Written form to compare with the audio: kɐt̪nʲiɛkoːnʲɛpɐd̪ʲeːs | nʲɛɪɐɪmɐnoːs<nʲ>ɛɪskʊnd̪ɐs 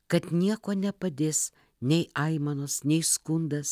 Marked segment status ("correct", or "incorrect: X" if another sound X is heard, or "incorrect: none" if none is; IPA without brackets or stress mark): correct